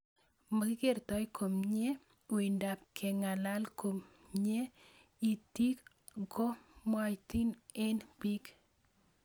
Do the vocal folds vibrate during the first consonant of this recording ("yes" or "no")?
yes